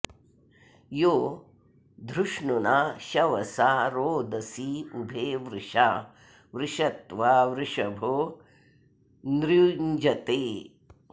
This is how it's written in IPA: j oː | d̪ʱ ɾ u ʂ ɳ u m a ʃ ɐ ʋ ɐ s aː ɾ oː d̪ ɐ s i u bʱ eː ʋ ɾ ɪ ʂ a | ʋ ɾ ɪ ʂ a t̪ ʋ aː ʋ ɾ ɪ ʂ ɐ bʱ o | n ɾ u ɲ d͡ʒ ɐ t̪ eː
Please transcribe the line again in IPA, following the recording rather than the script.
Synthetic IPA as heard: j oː | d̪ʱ ɾ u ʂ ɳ u n a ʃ ɐ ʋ ɐ s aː ɾ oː d̪ ɐ s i u bʱ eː ʋ ɾ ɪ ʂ a | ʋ ɾ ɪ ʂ ɐ t̪ ʋ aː ʋ ɾ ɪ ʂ ɐ bʱ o | n ɾ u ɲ d͡ʒ ɐ t̪ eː